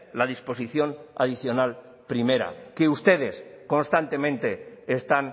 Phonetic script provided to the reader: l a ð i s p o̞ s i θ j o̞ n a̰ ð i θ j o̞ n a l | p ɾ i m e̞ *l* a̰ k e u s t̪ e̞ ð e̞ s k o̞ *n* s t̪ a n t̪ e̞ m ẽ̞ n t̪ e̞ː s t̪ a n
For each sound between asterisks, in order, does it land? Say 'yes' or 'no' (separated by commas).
no, yes